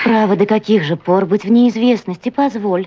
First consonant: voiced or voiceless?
voiceless